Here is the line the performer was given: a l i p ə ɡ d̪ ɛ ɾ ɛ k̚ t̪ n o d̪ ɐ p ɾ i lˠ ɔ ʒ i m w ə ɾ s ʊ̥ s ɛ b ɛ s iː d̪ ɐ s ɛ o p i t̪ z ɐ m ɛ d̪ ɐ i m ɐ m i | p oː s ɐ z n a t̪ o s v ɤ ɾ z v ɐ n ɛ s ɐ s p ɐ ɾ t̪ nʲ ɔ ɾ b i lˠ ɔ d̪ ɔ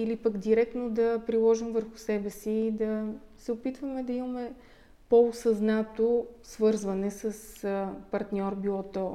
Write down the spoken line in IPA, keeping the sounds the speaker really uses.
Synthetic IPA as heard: i l i p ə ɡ d̪ i ɾ ɛ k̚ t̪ n o d̪ ɐ p ɾ i lˠ ɔ ʒ i m v ə ɾ x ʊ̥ s ɛ b ɛ s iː d̪ ɐ s ɛ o p i t̪ v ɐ m ɛ d̪ ɐ i m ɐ m ɛ | p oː s ɐ z n a t̪ o s v ɤ ɾ z v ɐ n ɛ s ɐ s p ɐ ɾ t̪ nʲ ɔ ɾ b i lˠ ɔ t̪ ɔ